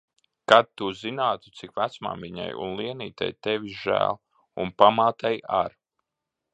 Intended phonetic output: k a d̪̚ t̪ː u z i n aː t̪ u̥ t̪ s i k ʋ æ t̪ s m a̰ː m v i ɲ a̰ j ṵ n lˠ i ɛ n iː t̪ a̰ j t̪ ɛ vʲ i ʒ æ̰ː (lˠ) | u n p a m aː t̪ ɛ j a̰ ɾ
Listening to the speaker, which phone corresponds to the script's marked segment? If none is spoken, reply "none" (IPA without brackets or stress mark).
lˠ